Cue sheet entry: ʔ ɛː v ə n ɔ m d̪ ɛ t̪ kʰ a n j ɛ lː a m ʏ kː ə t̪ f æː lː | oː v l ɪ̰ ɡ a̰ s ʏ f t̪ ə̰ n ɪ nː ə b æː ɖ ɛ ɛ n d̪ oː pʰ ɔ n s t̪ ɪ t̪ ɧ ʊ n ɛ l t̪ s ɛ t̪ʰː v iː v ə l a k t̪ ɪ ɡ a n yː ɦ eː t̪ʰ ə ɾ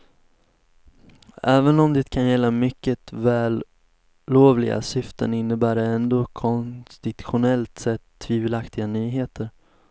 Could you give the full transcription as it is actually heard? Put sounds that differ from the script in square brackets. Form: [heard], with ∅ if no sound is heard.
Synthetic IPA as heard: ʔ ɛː v ə n ɔ m d̪ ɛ t̪ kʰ a n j ɛ lː a m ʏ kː ə t̪ [v] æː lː | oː v l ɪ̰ ɡ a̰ s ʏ f t̪ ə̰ n ɪ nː ə b æː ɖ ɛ ɛ n d̪ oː [kʰ] ɔ n s t̪ ɪ t̪ ɧ ʊ n ɛ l t̪ s ɛ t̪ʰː v iː v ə l a k t̪ ɪ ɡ a n yː ɦ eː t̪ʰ ə ɾ